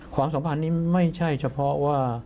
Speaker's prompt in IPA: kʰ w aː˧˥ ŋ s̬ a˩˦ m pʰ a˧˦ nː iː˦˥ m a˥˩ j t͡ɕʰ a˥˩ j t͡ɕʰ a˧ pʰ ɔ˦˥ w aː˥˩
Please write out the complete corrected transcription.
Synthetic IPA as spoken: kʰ w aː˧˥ m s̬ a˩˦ m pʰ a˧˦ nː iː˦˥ m a˥˩ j t͡ɕʰ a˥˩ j t͡ɕʰ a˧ pʰ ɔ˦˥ w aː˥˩